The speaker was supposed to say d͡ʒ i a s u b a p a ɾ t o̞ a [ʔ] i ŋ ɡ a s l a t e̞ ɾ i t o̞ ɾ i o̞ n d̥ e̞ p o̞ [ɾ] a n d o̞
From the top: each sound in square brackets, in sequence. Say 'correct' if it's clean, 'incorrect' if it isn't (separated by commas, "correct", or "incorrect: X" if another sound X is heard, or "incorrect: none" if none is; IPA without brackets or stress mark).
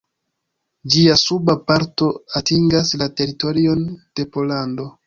incorrect: t, incorrect: l